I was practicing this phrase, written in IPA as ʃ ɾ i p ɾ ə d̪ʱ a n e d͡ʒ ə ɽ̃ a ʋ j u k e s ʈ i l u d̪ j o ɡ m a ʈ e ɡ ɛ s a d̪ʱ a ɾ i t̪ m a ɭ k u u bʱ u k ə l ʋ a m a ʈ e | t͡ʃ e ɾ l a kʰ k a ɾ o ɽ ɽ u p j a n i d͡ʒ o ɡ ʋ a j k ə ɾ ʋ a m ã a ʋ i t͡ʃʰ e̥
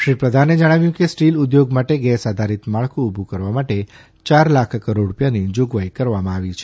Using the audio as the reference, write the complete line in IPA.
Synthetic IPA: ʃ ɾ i p ɾ ə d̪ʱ a n e d͡ʒ ə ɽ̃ a ʋ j ũ k e s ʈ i l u d̪ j o ɡ m a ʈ e ɡ ɛ s a d̪ʱ a ɾ i t̪ m a ɭ k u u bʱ u k ə ɾ ʋ a m a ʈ e | t͡ʃ a ɾ l a kʰ k ə ɾ o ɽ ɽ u p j a n i d͡ʒ o ɡ ʋ a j k ə ɾ ʋ a m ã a ʋ i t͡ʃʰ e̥